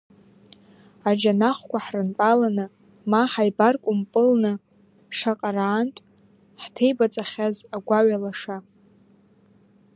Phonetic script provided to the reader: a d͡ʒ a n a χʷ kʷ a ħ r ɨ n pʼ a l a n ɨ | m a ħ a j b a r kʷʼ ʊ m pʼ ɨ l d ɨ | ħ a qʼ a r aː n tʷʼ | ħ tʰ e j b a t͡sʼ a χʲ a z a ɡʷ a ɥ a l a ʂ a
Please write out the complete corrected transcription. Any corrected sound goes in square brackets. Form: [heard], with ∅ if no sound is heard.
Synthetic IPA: a d͡ʒ a n a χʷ kʷ a ħ r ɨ n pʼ a l a n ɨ | m a ħ a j b a r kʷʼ ʊ m pʼ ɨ l [n] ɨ | [ʂ] a qʼ a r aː n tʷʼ | ħ tʰ e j b a t͡sʼ a χʲ a z a ɡʷ a ɥ a l a ʂ a